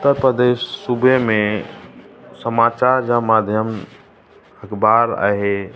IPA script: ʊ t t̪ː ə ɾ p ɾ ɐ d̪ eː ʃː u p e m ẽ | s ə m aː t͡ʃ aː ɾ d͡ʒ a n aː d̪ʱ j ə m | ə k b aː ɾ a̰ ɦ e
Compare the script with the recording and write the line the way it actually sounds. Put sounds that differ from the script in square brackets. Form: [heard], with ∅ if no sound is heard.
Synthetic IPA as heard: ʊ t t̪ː ə ɾ p ɾ [ə] d̪ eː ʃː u [b] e m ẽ | s ə m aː t͡ʃ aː ɾ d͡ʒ a [m] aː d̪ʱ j ə m | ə k b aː ɾ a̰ ɦ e

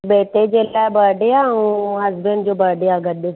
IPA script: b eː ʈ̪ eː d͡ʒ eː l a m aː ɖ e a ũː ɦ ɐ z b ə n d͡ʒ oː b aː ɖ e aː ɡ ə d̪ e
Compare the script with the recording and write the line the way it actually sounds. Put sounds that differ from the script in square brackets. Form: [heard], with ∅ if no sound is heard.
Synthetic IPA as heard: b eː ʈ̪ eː d͡ʒ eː l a [b] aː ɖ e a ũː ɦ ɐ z b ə n d͡ʒ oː b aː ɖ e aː ɡ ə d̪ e

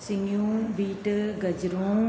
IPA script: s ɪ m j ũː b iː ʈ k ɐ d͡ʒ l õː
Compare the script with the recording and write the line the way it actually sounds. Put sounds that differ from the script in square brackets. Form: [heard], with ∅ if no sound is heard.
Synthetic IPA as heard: s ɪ [ŋ] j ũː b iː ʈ [ɡ] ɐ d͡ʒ [ɾ] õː

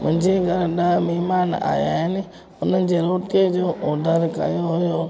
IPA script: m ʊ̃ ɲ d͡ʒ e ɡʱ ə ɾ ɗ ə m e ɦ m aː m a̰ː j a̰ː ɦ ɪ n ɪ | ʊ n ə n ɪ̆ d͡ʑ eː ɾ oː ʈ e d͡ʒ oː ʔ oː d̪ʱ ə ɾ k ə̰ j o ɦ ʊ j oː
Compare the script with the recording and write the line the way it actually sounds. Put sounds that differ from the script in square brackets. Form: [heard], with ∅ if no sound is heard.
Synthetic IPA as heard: m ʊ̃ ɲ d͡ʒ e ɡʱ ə ɾ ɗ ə m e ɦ m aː [n] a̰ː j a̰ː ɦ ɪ n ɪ | ʊ n ə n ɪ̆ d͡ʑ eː ɾ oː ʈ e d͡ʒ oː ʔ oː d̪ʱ ə ɾ k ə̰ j o ɦ ʊ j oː

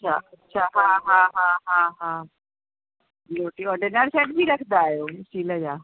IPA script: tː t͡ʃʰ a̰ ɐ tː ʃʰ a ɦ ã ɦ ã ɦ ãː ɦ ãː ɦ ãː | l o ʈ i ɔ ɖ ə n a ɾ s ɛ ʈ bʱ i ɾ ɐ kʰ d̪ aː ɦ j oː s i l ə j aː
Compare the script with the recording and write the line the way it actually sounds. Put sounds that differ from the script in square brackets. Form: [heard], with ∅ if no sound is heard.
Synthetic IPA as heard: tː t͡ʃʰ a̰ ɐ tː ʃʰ a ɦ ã ɦ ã ɦ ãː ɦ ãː ɦ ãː | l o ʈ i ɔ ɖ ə n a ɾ s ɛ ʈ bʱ i ɾ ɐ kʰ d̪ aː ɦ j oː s i l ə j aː

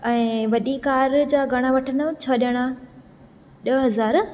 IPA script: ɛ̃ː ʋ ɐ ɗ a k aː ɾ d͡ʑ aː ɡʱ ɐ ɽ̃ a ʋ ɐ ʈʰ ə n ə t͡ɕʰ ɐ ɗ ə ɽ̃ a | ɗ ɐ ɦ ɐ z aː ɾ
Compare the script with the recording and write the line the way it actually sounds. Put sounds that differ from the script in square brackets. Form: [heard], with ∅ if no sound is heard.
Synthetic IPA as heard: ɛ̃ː ʋ ɐ ɗ [i] k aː ɾ d͡ʑ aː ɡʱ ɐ ɽ̃ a ʋ ɐ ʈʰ ə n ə t͡ɕʰ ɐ ɗ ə ɽ̃ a | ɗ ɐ ɦ ɐ z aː ɾ

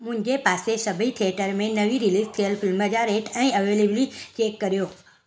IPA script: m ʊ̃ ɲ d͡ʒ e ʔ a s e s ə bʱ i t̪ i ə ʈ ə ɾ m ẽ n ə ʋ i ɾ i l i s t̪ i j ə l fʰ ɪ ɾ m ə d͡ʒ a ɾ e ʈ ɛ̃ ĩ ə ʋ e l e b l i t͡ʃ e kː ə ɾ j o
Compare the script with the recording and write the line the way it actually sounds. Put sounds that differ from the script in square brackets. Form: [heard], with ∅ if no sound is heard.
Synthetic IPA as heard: m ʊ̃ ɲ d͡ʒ e [p] a s e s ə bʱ i [t̪ʰ] i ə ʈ ə ɾ m ẽ n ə ʋ i ɾ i l i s [t̪ʰ] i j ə l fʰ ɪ [l] m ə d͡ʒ a ɾ e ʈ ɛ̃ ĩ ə ʋ e l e b l i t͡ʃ e kː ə ɾ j o

